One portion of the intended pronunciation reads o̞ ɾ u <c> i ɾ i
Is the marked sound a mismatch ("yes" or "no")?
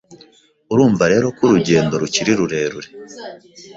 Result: no